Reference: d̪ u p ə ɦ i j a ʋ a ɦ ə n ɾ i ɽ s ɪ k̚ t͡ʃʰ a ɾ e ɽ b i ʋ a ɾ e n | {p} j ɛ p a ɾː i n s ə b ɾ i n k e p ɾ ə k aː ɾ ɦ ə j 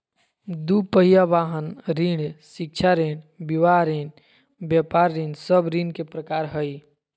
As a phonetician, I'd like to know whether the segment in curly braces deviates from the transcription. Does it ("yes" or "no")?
yes